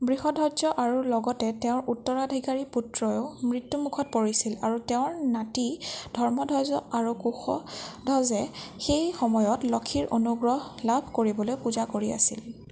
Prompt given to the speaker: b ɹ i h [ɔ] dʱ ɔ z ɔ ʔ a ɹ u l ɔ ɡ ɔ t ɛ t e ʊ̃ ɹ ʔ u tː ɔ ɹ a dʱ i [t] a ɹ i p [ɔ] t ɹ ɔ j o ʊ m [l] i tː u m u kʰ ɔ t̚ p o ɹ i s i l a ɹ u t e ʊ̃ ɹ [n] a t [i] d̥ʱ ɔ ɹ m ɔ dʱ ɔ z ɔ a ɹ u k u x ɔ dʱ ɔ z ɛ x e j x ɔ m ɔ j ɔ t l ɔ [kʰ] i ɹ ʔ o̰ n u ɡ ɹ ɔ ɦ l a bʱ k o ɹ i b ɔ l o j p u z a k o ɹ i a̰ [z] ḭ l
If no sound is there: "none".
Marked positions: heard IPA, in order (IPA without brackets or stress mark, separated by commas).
ɔ, k, u, ɹ, n, i, kʰ, s